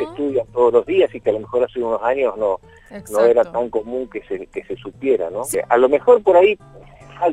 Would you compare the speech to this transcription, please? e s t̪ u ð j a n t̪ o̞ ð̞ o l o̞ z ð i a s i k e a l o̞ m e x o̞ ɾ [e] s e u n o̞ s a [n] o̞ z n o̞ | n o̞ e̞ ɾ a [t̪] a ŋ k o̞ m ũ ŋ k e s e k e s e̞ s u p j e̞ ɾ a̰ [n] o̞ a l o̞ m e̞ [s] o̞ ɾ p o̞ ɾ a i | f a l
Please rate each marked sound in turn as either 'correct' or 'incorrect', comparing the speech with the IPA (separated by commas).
incorrect, incorrect, correct, correct, incorrect